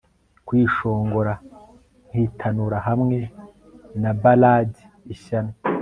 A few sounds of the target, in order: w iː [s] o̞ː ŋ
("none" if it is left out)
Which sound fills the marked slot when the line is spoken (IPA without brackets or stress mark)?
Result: ʃ